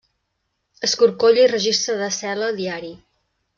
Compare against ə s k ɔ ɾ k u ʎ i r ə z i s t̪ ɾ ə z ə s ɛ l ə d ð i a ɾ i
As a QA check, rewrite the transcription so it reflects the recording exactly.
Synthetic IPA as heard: ə s k u ɾ k o ʎ i r ə ʒ i s t̪ ɾ ə ð ə s ɛ l ə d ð i a ɾ i